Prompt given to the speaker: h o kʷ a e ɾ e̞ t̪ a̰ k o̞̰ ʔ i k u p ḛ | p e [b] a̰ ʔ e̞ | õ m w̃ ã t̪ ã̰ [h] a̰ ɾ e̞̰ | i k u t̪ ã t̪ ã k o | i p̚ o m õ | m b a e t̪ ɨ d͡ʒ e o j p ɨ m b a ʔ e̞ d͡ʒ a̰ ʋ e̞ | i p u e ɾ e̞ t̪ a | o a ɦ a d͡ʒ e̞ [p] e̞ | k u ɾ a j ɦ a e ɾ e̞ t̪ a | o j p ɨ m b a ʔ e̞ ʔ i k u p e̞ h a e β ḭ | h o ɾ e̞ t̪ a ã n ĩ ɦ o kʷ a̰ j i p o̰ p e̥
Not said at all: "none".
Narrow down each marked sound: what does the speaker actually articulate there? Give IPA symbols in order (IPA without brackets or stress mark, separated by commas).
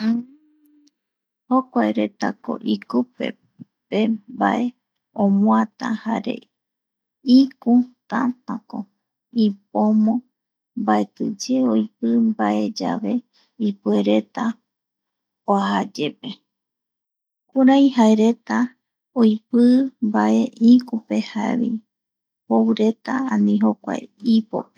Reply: b, h, p